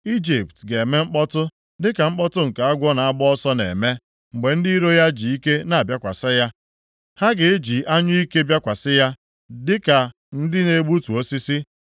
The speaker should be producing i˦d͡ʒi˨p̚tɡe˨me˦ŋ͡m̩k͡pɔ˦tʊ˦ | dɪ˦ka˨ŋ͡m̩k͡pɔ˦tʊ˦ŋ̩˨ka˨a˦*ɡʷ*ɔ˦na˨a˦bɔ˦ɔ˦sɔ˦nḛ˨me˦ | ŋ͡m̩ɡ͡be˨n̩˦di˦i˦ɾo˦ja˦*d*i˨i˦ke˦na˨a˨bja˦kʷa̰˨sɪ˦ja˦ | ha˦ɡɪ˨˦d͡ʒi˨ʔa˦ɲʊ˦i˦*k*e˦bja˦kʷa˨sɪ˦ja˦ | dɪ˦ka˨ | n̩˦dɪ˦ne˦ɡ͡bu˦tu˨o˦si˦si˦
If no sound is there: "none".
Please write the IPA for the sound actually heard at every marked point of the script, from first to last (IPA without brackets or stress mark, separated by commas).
ɡʷ, d͡ʒ, k